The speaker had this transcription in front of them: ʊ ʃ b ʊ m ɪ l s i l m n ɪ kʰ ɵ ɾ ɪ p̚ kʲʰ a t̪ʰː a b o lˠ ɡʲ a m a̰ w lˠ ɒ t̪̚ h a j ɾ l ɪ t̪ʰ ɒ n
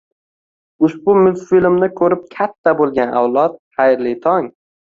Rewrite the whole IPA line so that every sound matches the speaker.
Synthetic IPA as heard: ʊ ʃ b ʊ m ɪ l f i l m n ɪ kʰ ɵ ɾ ɪ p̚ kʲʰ a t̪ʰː a b o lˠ ɡʲ a n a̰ w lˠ ɒ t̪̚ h a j ɾ l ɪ t̪ʰ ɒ ŋ